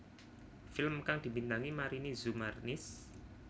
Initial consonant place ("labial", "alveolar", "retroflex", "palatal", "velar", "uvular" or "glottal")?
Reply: labial